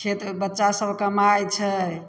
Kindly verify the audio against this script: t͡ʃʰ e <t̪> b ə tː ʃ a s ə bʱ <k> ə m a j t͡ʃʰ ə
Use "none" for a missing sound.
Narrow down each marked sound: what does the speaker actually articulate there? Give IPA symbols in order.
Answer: t̪, k

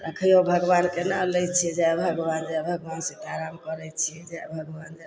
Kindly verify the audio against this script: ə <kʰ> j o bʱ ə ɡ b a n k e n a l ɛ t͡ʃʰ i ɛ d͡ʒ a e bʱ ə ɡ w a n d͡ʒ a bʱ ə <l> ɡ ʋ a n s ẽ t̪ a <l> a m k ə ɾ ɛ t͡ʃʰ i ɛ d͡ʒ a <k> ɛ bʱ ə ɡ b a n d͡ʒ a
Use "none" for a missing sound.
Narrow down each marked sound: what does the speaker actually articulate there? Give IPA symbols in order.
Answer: kʰ, none, ɾ, none

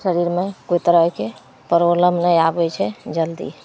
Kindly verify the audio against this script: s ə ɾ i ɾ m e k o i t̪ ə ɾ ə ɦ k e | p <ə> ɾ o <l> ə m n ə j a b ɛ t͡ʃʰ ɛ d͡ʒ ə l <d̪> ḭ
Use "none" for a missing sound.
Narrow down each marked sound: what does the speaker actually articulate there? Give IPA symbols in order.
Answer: ə, l, d̪

